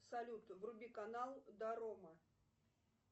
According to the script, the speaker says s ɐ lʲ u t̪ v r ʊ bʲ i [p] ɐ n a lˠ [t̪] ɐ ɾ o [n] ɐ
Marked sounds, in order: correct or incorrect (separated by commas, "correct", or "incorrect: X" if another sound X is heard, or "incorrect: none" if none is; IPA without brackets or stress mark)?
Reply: incorrect: k, incorrect: d̪, incorrect: m